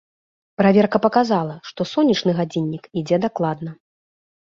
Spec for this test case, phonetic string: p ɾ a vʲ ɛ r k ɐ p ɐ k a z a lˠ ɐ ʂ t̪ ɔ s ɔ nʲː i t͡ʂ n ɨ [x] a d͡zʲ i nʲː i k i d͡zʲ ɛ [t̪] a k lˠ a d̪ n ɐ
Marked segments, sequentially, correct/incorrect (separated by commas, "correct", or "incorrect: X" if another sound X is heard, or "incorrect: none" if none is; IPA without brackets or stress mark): incorrect: ɣ, incorrect: d̪